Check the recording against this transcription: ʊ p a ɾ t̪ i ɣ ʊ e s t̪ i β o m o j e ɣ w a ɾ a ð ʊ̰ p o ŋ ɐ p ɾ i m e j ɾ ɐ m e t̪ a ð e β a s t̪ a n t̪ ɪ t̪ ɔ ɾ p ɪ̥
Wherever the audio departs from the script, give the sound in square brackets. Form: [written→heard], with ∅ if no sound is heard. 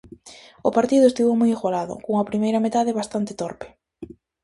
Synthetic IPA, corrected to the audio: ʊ p a ɾ t̪ i [ɣ→ð] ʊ e s t̪ i β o m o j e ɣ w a [ɾ→l] a ð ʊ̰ [p→k] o ŋ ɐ p ɾ i m e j ɾ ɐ m e t̪ a ð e β a s t̪ a n t̪ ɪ t̪ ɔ ɾ p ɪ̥